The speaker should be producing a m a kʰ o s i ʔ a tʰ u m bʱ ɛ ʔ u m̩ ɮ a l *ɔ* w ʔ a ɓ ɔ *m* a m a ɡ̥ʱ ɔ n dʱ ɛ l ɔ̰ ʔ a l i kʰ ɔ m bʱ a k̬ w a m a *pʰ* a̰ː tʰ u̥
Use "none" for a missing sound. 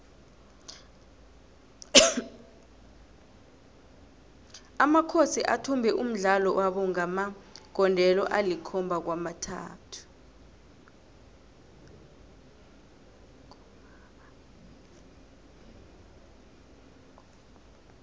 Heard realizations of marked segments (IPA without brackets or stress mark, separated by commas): ɔ, ŋ, tʰ